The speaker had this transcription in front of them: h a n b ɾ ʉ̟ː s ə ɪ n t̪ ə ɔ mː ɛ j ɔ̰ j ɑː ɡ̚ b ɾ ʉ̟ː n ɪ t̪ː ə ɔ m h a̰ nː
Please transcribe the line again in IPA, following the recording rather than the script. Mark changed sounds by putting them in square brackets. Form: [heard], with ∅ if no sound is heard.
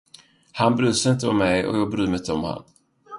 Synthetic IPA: h a n b ɾ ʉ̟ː s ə ɪ n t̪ ə ɔ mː ɛ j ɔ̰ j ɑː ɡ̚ b ɾ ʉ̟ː [m] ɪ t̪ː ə ɔ m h a̰ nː